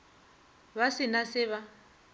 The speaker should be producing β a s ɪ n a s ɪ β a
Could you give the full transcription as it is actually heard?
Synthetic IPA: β a s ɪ n a s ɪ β a